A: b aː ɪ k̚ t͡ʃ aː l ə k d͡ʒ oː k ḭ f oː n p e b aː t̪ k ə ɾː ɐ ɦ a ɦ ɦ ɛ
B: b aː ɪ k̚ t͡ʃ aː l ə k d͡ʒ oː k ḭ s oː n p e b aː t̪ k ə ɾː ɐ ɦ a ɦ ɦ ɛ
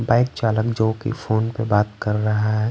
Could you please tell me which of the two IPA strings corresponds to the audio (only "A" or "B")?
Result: A